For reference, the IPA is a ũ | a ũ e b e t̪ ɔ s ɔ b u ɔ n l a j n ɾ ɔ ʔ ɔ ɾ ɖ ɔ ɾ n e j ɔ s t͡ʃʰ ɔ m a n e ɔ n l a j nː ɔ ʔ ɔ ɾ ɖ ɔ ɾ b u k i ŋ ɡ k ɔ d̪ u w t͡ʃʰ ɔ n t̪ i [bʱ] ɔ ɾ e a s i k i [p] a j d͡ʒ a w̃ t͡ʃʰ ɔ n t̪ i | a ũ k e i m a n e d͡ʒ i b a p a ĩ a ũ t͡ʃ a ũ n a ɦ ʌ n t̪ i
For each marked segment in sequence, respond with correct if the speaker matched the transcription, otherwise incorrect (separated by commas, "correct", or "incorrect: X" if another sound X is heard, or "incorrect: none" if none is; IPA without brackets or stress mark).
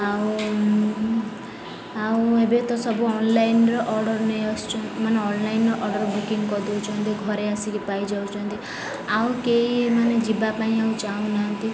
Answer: incorrect: ɡʱ, correct